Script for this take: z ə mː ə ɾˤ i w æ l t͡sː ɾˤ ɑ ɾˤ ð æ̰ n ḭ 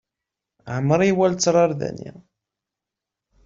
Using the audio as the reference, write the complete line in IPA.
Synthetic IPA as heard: ʕ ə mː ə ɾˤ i w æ l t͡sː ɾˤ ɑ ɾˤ ð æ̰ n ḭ